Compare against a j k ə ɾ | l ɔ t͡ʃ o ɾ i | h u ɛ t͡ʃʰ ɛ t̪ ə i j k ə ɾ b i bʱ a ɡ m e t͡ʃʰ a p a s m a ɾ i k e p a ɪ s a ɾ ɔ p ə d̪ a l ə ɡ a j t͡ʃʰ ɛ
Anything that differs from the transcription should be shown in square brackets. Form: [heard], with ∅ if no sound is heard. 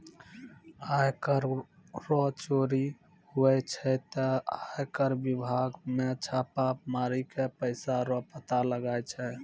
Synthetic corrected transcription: a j k ə ɾ | [ɾ] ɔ t͡ʃ o ɾ i | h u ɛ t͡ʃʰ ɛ t̪ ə [a] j k ə ɾ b i bʱ a ɡ m e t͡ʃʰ a p a [∅] m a ɾ i k e p [ə] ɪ s a ɾ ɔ p ə [t̪] a l ə ɡ a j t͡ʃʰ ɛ